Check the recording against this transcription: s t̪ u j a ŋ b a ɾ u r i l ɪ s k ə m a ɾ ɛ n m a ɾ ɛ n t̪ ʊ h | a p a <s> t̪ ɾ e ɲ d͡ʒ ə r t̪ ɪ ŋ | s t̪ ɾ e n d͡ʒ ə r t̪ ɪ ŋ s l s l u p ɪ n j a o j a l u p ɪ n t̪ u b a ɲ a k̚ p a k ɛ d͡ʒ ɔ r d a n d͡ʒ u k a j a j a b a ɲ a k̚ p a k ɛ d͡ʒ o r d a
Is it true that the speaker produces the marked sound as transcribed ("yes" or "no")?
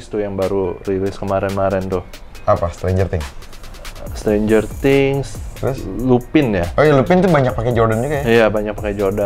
yes